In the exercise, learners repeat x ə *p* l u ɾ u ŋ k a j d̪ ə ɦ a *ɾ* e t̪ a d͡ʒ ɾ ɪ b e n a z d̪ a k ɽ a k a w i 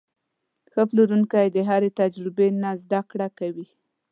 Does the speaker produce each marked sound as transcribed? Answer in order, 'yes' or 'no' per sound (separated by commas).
yes, yes